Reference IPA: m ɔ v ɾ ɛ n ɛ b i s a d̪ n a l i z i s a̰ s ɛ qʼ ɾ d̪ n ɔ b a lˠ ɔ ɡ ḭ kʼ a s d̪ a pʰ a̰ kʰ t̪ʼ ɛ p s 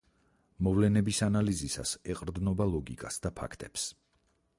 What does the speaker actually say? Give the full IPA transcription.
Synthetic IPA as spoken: m ɔ v l ɛ n ɛ b i s a n a l i z i s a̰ s ɛ qʼ ɾ d̪ n ɔ b a lˠ ɔ ɡ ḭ kʼ a s d̪ a pʰ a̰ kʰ t̪ʼ ɛ p s